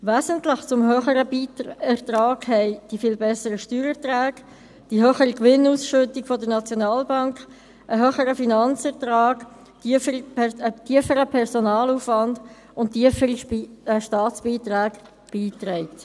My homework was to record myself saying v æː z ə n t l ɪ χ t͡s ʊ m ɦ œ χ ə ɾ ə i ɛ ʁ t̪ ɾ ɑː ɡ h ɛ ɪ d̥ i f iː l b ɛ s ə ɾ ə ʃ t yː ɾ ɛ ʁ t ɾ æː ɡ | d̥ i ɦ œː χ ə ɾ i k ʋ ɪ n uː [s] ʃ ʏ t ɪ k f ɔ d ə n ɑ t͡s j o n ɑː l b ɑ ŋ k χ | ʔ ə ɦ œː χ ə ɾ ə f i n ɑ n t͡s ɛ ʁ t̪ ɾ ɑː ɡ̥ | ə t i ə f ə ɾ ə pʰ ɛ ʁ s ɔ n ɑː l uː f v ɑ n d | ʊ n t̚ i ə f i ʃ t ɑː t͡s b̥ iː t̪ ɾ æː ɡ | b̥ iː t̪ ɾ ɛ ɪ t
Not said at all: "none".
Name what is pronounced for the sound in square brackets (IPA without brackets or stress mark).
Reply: s